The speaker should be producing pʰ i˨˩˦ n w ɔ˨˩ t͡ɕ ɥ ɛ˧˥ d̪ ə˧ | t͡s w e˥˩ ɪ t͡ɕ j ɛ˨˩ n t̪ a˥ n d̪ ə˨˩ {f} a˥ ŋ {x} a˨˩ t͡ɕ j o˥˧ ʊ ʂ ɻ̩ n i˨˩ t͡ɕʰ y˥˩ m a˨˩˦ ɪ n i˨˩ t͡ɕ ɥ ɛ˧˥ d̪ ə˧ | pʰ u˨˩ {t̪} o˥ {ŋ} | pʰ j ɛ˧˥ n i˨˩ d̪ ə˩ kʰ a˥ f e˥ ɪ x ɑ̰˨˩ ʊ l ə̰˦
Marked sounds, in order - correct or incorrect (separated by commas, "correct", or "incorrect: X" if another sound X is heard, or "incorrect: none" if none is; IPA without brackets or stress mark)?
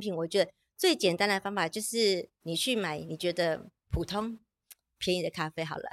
correct, incorrect: f, incorrect: t̪ʰ, correct